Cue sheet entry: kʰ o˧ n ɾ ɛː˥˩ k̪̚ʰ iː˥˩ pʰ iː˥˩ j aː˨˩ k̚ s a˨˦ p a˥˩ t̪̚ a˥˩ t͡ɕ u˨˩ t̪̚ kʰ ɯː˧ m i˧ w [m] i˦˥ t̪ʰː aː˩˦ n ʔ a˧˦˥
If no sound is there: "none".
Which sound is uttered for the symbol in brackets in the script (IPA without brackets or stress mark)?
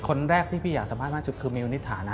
n